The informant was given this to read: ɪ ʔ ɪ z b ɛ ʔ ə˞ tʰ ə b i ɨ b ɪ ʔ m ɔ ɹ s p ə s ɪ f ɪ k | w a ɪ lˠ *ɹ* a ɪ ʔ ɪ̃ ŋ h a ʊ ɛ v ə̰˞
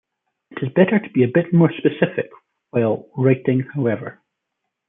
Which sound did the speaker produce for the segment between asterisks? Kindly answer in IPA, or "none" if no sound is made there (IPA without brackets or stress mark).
ɹ